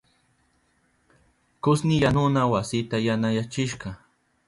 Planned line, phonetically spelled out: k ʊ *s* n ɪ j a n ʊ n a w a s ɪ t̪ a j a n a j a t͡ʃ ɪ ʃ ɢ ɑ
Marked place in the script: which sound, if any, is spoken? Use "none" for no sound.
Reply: s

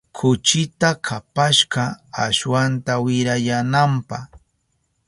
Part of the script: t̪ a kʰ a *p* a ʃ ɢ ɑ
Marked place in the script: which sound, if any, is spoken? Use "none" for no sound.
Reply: p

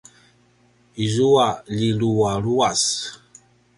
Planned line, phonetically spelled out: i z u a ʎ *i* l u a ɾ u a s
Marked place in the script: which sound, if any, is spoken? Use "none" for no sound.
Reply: i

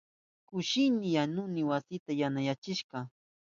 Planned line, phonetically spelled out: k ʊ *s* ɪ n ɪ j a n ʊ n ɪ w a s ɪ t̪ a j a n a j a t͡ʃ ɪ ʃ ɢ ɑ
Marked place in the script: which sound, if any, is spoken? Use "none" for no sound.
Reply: ʃ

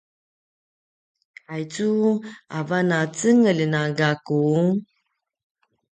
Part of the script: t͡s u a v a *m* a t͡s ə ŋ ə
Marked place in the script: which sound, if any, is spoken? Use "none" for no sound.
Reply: n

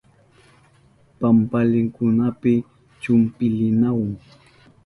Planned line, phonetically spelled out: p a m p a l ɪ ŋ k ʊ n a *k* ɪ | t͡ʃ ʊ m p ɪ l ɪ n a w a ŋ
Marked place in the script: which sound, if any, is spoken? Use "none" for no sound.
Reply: p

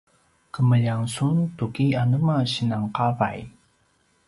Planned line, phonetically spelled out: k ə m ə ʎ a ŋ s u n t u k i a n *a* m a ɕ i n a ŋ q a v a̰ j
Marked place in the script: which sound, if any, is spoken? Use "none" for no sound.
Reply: ə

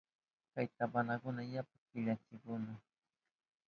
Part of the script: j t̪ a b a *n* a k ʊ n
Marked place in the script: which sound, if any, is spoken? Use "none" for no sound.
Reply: n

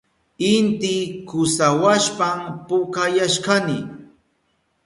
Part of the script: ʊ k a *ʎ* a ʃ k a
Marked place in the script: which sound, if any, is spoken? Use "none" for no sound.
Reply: j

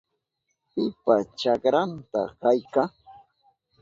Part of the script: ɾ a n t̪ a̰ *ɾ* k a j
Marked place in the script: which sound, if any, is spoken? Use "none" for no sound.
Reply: none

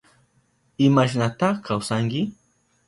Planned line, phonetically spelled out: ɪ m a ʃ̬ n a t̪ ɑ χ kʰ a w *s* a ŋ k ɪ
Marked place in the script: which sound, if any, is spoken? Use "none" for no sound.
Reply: s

